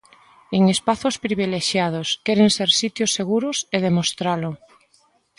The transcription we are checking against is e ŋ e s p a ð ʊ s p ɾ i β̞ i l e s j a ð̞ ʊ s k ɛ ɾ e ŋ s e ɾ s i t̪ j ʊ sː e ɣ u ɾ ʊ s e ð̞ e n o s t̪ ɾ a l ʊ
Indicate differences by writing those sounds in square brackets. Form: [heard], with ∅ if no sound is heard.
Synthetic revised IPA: e ŋ e s p a [θ] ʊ s p ɾ i β̞ i l e [ʃ] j a ð̞ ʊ s k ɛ ɾ e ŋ s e ɾ s i t̪ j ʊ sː e ɣ u ɾ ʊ s e ð̞ e [m] o s t̪ ɾ a l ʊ

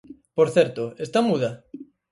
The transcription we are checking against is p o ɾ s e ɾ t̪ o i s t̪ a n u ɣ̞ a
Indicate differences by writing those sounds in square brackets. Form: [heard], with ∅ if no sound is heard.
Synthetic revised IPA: p o ɾ [θ] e ɾ t̪ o [e] s t̪ a [m] u [ð̞] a

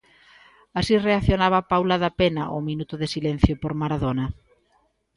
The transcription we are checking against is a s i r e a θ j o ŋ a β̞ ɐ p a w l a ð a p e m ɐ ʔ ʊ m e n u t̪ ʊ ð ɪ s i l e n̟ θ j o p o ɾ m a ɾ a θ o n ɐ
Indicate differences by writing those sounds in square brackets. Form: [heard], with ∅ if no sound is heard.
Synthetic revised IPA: a s i r e a θ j o [n] a β̞ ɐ p a w l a ð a p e [n] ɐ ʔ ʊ m [i] n u t̪ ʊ ð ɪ s i l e n̟ θ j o p o ɾ m a ɾ a [ð] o n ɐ

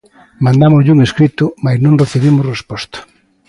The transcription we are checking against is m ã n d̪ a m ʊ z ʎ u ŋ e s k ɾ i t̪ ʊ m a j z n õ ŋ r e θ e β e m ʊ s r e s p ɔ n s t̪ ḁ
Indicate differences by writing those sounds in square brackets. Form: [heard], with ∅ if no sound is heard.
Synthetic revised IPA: m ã n d̪ a m ʊ z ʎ u ŋ e s k ɾ i t̪ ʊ m a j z n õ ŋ r e θ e β [i] m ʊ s r e s p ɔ [∅] s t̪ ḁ

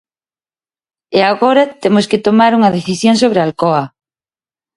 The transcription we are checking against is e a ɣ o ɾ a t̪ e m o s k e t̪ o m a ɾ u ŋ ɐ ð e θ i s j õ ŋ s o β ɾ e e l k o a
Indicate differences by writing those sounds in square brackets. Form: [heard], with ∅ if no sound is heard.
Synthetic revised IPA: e a ɣ o ɾ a t̪ e m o s k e t̪ o m a ɾ u ŋ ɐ ð e θ i s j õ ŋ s o β ɾ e [a] l k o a

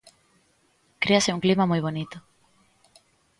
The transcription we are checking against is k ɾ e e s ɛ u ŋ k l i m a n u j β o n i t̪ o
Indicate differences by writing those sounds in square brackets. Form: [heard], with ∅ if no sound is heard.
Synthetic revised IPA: k ɾ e [a] s [e] u ŋ k l i m a [m] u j β o n i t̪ o

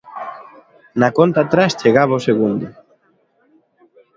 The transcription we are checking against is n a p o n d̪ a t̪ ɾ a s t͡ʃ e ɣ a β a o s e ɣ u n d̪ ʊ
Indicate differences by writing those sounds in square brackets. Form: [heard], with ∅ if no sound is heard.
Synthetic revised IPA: n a [k] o n [t̪] a t̪ ɾ a s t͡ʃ e ɣ a β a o s e ɣ u n d̪ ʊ

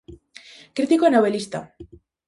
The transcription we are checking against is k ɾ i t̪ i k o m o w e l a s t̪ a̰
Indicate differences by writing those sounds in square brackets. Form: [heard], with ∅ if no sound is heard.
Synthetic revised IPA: k ɾ i t̪ i k o [n] o [β] e l [i] s t̪ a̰

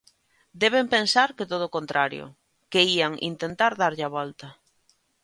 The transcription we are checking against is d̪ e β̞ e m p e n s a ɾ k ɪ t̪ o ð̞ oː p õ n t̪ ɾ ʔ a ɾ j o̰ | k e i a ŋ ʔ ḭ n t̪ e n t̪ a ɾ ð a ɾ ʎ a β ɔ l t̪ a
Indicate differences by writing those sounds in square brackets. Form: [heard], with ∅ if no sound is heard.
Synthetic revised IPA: d̪ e β̞ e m p e n s a ɾ k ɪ t̪ o ð̞ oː [k] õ n t̪ ɾ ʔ a ɾ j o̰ | k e i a ŋ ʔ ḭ n t̪ e n t̪ a ɾ ð a ɾ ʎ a β ɔ l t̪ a

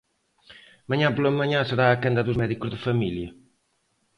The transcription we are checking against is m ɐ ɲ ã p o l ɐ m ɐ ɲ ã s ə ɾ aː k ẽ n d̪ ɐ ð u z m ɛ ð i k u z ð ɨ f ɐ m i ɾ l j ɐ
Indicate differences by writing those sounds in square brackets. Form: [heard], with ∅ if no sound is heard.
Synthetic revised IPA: m ɐ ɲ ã p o l ɐ m ɐ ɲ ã s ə ɾ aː k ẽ n d̪ ɐ ð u z m ɛ ð i k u z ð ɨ f ɐ m i [∅] l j ɐ

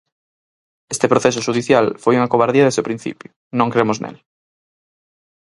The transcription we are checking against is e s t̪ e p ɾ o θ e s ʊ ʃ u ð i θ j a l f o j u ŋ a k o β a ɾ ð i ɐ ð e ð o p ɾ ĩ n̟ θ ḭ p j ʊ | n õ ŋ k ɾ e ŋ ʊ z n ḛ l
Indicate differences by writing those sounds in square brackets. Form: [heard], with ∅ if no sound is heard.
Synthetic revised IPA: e s t̪ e p ɾ o θ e s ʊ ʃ u ð i θ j a l f o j u ŋ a k o β a ɾ ð i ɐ ð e [z] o p ɾ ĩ n̟ θ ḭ p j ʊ | n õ ŋ k ɾ e [m] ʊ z n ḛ l

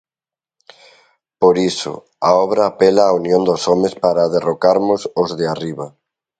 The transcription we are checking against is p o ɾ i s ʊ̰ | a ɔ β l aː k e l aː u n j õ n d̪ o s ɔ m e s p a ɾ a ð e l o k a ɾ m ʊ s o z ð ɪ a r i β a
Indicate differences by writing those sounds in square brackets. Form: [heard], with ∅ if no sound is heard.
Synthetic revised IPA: p o ɾ i s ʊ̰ | a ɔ β [ɾ] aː [p] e l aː u n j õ n d̪ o s ɔ m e s p a ɾ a ð e [r] o k a ɾ m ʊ s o z ð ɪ a r i β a

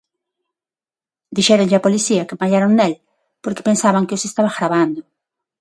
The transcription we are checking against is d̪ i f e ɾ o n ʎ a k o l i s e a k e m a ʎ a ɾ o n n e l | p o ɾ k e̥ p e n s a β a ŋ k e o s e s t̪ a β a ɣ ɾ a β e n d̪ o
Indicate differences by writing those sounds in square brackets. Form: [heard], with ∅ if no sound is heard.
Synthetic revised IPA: d̪ i [ʃ] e ɾ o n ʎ a [p] o l i s [i] a k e m a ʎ a ɾ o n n e l | p o ɾ k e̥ p e n s a β a ŋ k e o s e s t̪ a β a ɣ ɾ a β [a] n d̪ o

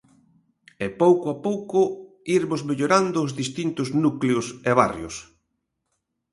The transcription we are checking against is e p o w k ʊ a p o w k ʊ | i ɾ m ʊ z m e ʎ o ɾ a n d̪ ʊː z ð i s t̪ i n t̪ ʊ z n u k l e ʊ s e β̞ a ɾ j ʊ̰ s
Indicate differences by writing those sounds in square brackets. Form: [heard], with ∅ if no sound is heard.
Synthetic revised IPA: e p o w k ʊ a p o w k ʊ | i ɾ m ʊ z m e ʎ o ɾ a n d̪ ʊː z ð i s t̪ i n t̪ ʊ z n u k l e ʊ s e β̞ a [r] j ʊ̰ s

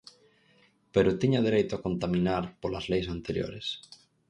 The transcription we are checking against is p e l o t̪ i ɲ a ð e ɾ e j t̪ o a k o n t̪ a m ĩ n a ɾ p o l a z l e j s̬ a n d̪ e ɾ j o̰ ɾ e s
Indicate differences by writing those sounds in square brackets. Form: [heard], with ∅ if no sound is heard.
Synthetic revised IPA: p e [ɾ] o t̪ i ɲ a ð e ɾ e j t̪ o a k o n t̪ a m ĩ n a ɾ p o l a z l e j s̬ a n [t̪] e ɾ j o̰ ɾ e s

